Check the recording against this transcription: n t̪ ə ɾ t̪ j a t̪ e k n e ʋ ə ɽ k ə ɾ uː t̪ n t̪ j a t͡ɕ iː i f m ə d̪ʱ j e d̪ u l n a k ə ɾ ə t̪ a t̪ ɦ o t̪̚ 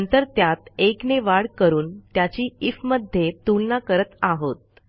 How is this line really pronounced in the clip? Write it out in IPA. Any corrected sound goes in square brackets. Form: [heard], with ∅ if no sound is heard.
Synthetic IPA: n t̪ ə ɾ t̪ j a t̪ e k n e ʋ [a] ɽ k ə ɾ uː [∅] n t̪ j a t͡ɕ iː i f m ə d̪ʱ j e [t̪] u l n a k ə ɾ ə t̪ a [∅] ɦ o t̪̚